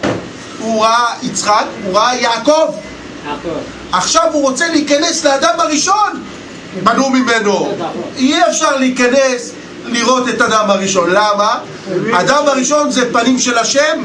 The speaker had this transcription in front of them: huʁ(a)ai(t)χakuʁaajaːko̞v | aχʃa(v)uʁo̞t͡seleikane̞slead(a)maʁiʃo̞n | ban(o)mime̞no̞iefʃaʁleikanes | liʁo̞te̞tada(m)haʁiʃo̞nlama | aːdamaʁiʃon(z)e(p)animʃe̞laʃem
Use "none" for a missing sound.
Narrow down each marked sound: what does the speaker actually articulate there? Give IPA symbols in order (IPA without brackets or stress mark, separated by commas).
a, t͡s, v, a, u, m, z, p